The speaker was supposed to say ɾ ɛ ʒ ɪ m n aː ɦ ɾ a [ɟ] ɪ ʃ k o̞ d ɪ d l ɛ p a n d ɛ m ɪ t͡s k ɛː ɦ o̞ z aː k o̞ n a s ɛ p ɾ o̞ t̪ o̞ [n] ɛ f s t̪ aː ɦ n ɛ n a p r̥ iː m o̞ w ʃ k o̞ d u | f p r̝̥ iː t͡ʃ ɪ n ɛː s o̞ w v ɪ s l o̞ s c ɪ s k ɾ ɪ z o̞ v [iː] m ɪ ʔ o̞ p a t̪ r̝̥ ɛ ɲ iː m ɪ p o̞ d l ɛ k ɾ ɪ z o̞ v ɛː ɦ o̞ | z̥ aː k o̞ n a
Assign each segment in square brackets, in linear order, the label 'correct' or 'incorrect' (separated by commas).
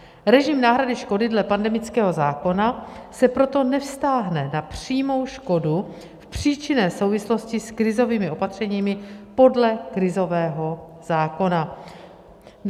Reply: incorrect, correct, correct